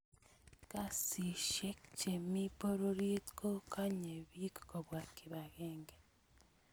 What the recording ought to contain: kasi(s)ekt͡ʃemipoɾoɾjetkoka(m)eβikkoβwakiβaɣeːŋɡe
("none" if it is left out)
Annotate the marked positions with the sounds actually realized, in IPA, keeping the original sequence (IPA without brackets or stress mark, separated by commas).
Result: ʃ, ɲ